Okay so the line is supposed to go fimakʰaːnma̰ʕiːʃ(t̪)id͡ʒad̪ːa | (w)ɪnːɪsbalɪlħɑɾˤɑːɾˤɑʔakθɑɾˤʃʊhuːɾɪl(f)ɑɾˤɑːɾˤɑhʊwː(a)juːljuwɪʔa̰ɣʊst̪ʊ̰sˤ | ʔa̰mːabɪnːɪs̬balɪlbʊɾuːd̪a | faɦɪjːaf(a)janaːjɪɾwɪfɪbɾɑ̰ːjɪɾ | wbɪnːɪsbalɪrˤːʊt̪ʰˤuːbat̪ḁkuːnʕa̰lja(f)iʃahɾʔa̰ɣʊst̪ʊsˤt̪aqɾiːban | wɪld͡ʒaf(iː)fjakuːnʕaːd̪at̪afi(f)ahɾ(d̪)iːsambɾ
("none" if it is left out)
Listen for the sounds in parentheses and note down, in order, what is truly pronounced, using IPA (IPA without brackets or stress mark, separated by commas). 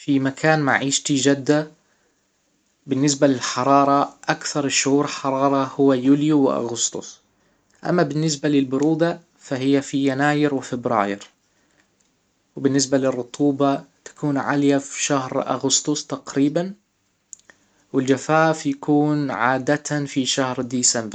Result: t̪, b, ħ, a, i, f, aː, ʃ, d̪